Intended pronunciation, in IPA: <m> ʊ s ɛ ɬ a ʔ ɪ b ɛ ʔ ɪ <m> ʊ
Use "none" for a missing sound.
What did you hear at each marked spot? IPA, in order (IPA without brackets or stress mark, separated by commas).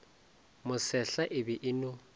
m, n